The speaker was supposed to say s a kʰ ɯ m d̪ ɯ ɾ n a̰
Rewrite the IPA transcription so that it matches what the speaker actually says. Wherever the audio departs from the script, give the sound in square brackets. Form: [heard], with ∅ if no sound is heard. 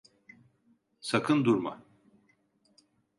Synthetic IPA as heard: s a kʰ ɯ [n] d̪ [u] ɾ [m] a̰